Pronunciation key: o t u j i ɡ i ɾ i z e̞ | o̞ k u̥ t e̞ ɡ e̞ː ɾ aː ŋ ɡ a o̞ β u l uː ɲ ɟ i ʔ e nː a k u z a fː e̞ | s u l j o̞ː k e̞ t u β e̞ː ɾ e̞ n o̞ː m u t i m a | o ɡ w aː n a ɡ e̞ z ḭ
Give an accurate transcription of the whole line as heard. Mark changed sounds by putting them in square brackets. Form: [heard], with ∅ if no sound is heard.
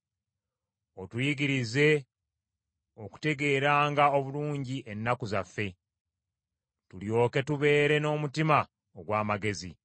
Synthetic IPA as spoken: o t u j i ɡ i ɾ i z e̞ | o̞ k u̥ t e̞ ɡ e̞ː ɾ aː ŋ ɡ a o̞ β u l uː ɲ ɟ i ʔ e nː a k u z a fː e̞ | [t] u l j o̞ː k e̞ t u β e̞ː ɾ e̞ n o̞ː m u t i m a | o ɡ w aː [m] a ɡ e̞ z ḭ